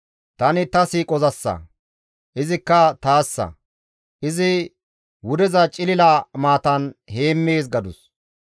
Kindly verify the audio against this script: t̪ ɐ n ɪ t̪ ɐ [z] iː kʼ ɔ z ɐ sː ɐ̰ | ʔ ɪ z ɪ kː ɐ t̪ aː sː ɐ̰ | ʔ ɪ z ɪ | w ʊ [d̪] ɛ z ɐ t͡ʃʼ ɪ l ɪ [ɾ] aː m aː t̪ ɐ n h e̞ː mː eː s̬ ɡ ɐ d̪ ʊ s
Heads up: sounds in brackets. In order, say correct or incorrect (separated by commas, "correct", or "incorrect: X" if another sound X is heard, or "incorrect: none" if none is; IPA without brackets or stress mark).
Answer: incorrect: s, correct, incorrect: l